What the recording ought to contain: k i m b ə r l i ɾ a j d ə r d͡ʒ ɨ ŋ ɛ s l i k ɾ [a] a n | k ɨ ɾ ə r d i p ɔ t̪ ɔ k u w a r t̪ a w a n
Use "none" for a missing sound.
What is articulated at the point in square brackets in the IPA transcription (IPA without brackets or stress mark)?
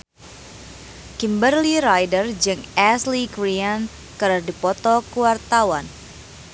i